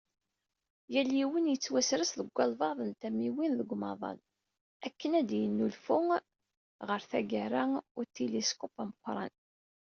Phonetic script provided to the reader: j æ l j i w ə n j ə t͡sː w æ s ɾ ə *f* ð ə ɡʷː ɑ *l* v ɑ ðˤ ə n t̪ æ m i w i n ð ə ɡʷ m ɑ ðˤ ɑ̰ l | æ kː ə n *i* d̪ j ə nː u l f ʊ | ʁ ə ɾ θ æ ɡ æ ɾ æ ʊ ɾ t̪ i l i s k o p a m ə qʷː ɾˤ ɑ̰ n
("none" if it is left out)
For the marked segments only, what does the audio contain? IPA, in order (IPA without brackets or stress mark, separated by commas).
s, l, æ